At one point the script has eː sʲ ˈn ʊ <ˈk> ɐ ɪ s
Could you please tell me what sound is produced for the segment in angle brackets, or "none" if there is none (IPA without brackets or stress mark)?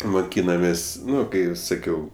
k